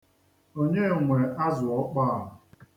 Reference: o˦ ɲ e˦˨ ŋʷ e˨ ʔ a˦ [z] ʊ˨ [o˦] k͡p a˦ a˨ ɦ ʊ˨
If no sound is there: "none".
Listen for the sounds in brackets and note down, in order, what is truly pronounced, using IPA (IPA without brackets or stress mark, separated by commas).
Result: z, ɔ˦